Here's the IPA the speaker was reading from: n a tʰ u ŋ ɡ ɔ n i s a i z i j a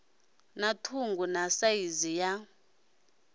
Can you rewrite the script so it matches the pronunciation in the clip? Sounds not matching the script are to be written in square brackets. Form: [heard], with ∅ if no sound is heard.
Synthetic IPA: n a tʰ u ŋ ɡ [u] n [a] s a i z i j a